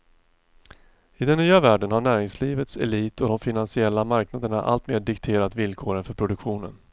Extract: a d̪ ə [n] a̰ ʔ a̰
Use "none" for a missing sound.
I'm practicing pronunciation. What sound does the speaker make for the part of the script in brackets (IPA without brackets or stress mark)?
ɳ